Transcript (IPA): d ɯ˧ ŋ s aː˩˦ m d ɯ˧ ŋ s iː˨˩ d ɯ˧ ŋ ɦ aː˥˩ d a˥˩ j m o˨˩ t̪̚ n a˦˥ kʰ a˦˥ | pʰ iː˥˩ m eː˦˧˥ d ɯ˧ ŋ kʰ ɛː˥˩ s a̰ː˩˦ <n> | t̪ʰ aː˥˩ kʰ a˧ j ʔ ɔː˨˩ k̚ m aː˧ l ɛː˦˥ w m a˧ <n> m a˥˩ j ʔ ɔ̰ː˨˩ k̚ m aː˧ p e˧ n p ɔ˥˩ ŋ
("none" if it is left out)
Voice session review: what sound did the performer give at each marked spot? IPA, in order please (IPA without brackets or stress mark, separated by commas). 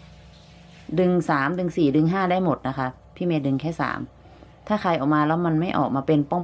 m, n